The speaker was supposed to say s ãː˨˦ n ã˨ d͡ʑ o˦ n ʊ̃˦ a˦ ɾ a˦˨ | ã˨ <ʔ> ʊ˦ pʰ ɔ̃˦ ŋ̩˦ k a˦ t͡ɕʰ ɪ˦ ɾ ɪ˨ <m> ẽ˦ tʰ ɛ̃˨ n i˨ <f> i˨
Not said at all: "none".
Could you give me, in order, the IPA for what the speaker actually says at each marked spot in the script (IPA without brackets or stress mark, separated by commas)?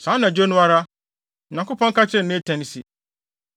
k, n, s